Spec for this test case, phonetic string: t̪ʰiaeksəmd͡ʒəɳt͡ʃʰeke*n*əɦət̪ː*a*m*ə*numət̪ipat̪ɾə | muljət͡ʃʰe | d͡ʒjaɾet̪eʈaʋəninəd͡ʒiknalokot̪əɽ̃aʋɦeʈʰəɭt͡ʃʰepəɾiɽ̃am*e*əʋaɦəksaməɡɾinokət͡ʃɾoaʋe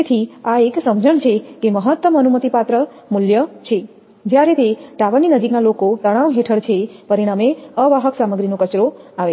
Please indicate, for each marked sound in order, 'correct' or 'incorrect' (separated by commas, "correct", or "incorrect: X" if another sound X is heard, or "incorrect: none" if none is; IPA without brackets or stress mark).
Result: incorrect: m, incorrect: ə, correct, correct